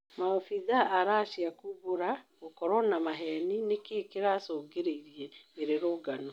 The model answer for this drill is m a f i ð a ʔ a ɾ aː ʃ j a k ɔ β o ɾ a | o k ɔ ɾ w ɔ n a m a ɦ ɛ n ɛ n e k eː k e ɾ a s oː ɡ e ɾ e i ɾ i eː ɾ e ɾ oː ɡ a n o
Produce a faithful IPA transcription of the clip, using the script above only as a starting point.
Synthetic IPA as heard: m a f i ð a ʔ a ɾ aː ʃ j a k u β o ɾ a | o k ɔ ɾ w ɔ n a m a ɦ ɛ n i n e k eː k e ɾ a s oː ɡ e ɾ e i ɾ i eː ɾ e ɾ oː ɡ a n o